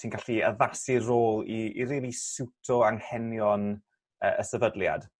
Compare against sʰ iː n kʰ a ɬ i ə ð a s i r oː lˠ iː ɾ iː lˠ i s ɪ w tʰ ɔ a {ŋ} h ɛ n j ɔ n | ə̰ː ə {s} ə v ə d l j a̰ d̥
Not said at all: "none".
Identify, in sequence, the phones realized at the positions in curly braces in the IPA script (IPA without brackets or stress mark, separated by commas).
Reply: ŋ, s